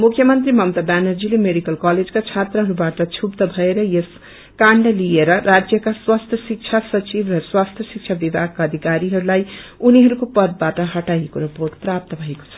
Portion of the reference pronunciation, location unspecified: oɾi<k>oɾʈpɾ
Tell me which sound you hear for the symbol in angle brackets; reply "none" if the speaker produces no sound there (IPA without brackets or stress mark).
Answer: p